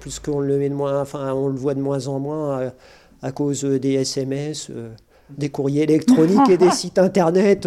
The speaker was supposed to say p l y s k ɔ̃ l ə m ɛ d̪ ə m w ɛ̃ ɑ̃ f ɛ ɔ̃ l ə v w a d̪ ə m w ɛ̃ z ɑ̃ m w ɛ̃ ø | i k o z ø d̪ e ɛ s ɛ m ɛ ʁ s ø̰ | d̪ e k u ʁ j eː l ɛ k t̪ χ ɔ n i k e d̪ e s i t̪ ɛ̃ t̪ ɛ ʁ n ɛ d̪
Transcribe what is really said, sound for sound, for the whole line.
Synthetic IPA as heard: p l y s k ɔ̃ l ə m ɛ d̪ ə m w ɛ̃ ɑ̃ f ɛ̃ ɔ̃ l ə v w a d̪ ə m w ɛ̃ z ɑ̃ m w ɛ̃ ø | a k o z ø d̪ e ɛ s ɛ m ɛ s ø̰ | d̪ e k u ʁ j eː l ɛ k t̪ χ ɔ n i k e d̪ e s i t̪ ɛ̃ t̪ ɛ ʁ n ɛ t̪